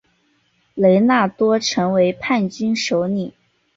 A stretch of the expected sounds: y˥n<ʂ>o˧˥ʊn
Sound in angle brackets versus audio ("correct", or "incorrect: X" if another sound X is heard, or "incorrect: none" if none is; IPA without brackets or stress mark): correct